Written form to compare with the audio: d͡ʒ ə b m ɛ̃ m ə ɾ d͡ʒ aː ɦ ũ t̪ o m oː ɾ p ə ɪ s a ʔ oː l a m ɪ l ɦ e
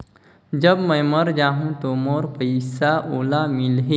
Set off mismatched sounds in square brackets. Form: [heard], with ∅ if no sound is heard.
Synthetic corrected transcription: d͡ʒ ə b m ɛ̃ m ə ɾ d͡ʒ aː ɦ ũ t̪ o m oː ɾ p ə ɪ s a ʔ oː l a m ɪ l ɦ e

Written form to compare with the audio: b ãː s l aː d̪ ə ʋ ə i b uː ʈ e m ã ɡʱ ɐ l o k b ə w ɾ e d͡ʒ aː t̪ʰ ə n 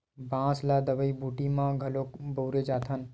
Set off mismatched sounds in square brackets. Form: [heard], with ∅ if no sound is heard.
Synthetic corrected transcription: b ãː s l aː d̪ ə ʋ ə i b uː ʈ [i] m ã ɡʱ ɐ l o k b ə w ɾ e d͡ʒ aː t̪ʰ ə n

